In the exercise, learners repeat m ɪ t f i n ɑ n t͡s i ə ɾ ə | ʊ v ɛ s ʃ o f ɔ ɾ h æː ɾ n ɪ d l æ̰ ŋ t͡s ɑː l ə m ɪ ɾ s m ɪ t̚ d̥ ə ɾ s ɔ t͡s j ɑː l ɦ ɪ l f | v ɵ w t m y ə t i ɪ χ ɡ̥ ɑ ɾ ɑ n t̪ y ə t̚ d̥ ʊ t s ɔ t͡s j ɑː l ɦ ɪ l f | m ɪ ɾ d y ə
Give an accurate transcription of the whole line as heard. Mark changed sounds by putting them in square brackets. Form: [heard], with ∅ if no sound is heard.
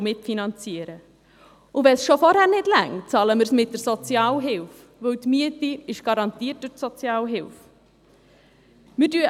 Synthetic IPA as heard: m ɪ t f i n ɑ n t͡s i ə ɾ ə | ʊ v ɛ s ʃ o f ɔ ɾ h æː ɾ n ɪ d l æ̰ ŋ t͡s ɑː l ə m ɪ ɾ s m ɪ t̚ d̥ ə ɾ s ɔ t͡s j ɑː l ɦ ɪ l f | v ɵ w t m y ə t i ɪ [ʃ] ɡ̥ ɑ ɾ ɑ n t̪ [i] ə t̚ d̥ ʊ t s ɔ t͡s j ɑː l ɦ ɪ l f | m ɪ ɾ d y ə